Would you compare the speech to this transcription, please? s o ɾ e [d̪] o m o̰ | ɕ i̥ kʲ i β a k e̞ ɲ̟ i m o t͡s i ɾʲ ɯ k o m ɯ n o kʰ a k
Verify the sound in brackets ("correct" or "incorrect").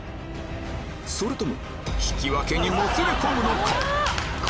incorrect